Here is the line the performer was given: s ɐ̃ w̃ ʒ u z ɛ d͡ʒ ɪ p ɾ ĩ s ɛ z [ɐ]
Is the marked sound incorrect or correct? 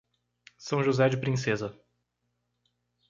correct